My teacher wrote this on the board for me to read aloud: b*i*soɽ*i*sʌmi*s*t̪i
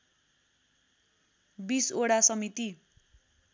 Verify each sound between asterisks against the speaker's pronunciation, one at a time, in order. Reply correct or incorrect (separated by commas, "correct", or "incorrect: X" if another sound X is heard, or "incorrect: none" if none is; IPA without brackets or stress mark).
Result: correct, incorrect: a, incorrect: none